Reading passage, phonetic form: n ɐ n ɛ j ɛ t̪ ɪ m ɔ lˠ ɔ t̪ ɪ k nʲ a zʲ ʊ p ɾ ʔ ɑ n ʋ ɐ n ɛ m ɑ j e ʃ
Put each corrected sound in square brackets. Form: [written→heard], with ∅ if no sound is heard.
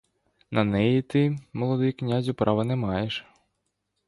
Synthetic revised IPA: n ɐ n ɛ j [ɛ→i] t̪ ɪ m ɔ lˠ ɔ [t̪→d̪] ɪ k nʲ a zʲ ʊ p ɾ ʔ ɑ [n→∅] ʋ ɐ n ɛ m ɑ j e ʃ